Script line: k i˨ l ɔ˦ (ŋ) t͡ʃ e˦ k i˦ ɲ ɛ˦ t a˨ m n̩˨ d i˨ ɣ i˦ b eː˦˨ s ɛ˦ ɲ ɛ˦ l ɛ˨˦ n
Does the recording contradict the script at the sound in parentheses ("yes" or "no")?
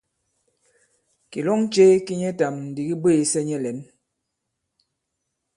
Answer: no